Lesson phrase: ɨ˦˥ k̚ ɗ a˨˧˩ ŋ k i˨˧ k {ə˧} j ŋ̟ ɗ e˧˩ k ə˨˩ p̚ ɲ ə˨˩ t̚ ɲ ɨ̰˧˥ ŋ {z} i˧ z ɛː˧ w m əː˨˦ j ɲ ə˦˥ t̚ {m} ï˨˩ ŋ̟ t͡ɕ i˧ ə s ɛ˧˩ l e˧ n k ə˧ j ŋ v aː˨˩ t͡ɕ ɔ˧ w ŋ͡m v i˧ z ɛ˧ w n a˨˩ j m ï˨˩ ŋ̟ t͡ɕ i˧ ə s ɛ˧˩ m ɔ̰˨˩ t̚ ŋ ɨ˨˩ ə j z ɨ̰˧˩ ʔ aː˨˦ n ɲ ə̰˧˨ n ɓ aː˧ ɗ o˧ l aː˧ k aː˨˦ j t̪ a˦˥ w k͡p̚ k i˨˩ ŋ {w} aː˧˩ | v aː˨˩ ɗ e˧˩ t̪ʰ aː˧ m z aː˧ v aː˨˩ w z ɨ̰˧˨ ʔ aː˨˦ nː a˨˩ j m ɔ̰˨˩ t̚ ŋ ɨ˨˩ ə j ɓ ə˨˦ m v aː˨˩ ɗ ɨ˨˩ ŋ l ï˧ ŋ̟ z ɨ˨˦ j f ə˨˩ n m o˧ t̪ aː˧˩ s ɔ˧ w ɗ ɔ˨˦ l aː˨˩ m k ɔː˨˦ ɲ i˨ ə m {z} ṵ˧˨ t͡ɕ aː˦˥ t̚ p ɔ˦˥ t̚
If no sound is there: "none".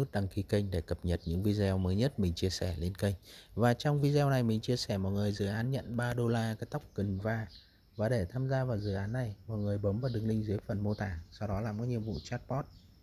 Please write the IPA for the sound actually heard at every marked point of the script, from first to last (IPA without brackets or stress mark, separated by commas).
ə˧, v, m, v, v